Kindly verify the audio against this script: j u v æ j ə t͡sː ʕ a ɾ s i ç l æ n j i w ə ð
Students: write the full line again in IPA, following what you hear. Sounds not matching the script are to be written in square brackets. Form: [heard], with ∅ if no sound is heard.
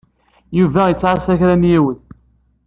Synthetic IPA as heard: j u v æ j ə t͡sː ʕ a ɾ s [æ] ç [ɾ] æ n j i w ə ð